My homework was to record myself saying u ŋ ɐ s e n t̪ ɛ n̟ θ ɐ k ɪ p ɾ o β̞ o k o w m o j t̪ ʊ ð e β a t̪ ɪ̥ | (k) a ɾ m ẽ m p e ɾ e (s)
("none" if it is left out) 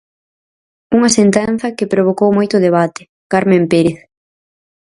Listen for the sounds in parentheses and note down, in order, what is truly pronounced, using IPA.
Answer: k, θ

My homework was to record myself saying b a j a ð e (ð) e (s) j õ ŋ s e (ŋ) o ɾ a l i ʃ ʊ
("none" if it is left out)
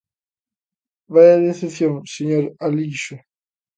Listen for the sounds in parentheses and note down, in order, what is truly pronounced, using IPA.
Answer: θ, θ, ɲ

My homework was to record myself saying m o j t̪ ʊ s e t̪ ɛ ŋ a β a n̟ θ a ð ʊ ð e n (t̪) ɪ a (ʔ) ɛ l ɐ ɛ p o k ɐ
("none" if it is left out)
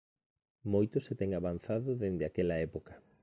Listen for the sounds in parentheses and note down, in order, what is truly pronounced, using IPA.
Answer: d̪, k

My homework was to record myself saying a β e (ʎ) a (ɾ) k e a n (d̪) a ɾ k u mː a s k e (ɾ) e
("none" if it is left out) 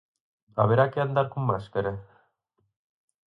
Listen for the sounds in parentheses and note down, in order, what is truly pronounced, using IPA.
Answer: ɾ, none, d̪, ɾ

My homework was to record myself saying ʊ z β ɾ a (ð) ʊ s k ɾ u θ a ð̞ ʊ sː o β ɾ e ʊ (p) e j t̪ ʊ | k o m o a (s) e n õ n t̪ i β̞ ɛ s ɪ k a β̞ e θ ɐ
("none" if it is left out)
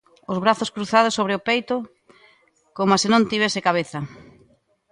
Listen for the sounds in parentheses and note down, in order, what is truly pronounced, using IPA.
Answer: θ, p, s

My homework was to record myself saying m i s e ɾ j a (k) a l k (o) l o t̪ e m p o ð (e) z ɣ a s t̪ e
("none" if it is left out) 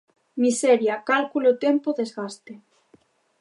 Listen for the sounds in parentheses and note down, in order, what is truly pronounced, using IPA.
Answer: k, u, e

